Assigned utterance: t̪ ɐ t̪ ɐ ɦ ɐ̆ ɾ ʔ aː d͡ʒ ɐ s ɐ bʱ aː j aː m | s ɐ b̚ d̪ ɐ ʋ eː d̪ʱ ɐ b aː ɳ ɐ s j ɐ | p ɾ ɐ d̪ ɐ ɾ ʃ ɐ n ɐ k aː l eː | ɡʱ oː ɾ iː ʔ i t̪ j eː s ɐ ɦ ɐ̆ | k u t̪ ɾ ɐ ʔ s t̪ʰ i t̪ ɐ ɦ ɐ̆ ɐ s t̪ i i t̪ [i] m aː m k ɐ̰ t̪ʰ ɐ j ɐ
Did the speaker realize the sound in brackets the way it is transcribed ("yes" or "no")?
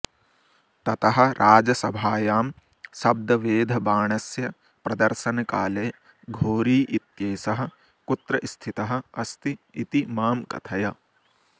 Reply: yes